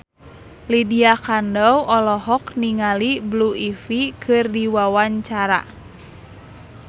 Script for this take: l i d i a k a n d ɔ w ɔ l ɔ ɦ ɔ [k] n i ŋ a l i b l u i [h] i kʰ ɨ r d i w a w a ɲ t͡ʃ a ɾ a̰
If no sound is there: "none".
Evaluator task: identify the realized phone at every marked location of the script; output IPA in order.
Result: k, f

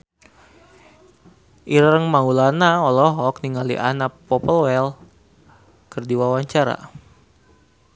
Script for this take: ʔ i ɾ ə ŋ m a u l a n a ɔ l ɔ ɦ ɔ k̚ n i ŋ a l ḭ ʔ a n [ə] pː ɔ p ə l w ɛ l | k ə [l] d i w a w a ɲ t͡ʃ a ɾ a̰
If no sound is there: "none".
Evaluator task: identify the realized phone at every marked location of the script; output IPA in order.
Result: a, r

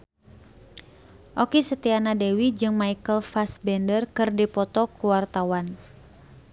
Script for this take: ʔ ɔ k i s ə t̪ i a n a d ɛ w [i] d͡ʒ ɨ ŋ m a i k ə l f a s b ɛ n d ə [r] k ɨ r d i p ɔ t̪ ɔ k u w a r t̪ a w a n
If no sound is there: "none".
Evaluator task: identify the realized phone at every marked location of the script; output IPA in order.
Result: i, r

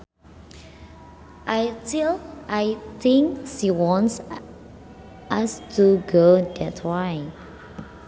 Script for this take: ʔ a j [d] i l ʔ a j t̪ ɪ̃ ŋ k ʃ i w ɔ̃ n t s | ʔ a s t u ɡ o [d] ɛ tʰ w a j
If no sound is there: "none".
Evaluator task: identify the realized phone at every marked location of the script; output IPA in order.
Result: t, d

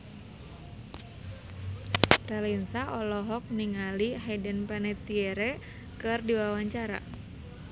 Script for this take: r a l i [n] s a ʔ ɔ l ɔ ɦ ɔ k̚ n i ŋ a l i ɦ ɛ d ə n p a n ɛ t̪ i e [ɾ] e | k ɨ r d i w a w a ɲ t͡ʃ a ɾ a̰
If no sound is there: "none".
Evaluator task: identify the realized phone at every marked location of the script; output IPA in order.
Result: n, ɾ

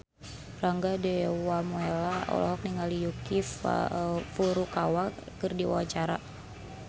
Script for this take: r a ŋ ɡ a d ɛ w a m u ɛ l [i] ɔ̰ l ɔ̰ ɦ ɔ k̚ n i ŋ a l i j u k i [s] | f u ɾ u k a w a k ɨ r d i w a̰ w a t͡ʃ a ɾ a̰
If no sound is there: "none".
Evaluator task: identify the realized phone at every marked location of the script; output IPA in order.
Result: a, f

